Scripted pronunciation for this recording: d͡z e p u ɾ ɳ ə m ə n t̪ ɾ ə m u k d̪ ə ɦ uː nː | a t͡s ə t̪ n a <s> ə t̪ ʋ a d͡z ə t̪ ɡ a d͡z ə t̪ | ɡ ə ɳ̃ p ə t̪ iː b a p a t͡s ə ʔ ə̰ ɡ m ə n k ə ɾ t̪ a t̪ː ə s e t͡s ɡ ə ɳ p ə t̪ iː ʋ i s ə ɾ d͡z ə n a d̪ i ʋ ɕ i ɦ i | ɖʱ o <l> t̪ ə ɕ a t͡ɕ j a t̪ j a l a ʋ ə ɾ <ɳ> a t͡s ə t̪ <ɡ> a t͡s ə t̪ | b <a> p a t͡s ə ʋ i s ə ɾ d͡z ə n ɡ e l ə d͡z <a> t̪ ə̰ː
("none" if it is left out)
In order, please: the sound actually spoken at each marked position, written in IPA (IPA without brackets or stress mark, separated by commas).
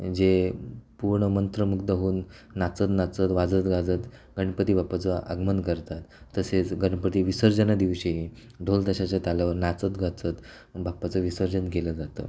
t͡s, l, n, ɡ, a, a